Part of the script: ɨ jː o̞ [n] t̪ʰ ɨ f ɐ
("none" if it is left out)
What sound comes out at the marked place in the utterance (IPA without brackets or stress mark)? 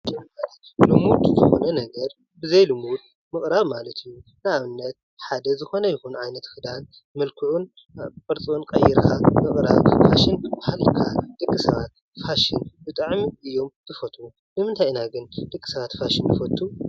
m